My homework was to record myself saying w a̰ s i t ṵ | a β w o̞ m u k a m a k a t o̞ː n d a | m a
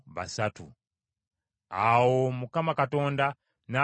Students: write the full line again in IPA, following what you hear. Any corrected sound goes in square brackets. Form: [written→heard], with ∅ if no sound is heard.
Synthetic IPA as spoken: [w→β] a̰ s [i→a] t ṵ | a [β→∅] w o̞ m u k a m a k a t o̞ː n d a | [m→n] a